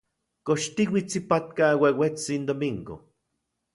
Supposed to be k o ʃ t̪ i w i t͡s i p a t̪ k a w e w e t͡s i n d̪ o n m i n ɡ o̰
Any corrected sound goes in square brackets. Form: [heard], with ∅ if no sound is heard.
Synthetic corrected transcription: k o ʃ t̪ i w i t͡s i p a t̪ k a w e w e t͡s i n d̪ o [∅] m i [ŋ] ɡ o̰